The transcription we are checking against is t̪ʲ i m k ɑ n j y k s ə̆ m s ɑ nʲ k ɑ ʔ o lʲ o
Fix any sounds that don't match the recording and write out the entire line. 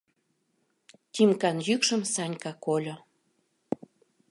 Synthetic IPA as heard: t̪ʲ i m k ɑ n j y k ʃ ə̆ m s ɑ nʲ k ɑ k o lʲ o

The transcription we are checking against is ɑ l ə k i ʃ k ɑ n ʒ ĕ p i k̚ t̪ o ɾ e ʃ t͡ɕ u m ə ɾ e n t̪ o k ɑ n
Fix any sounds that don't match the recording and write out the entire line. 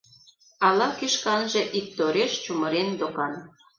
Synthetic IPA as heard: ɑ l ɑ k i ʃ k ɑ n ʒ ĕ ʔ i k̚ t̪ o ɾ e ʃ t͡ɕ u m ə ɾ e n d̪ o k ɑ n

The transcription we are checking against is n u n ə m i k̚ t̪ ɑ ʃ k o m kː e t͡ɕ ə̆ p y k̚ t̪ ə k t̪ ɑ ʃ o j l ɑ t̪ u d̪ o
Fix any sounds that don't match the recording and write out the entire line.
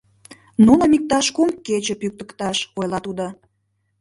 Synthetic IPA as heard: n u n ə m i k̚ t̪ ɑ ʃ k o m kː e t͡ɕ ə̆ p y k̚ t̪ ə k t̪ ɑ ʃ o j l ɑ t̪ u d̪ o

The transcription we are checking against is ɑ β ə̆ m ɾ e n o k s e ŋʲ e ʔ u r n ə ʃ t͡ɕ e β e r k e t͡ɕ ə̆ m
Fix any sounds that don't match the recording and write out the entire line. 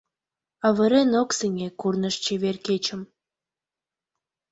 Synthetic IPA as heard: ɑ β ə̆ ɾ e n o k s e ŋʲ e k u r n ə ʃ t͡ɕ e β e r k e t͡ɕ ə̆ m

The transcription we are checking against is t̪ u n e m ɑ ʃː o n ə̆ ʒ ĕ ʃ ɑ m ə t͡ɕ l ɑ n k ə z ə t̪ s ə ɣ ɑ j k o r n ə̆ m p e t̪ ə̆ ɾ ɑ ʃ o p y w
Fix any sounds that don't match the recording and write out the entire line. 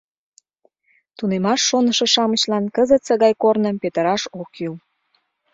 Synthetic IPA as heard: t̪ u n e m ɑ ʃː o n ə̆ ʃ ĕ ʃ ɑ m ə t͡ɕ l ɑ n k ə z ə t̪ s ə ɣ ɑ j k o r n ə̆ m p e t̪ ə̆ ɾ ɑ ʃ o k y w

